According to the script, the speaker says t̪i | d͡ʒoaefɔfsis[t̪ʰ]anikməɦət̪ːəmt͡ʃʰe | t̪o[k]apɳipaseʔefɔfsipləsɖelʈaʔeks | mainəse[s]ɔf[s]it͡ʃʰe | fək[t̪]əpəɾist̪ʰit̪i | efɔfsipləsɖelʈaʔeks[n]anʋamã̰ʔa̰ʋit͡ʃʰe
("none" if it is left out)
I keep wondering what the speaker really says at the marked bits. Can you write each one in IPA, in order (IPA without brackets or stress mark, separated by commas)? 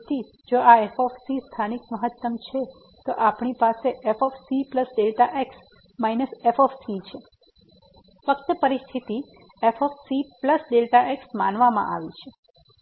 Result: t̪ʰ, ʔ, f, s, t̪, m